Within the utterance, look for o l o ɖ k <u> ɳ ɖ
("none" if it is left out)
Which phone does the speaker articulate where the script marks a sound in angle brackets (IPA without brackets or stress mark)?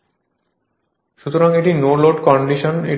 ɔ